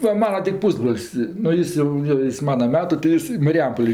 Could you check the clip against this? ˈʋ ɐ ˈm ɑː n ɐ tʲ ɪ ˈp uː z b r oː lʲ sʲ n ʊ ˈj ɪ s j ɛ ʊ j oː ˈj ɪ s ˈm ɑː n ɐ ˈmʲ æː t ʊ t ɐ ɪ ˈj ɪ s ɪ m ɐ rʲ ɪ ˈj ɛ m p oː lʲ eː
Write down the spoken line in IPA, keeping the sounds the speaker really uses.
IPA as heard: ˈʋ ɐ ˈm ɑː n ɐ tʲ ɪ ˈp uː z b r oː lʲ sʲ n ʊ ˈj ɪ s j ɛ ʊ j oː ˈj ɪ s ˈm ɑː n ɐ ˈmʲ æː t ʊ t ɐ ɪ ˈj ɪ s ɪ m ɐ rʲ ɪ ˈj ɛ m p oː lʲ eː